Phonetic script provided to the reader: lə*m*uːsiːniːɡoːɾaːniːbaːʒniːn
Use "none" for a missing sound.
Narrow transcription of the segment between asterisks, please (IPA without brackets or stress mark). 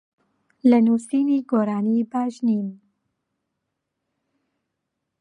n